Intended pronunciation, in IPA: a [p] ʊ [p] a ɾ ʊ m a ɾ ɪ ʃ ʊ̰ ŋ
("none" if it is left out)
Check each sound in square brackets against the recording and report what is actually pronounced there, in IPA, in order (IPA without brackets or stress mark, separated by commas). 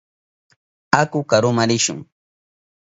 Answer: k, k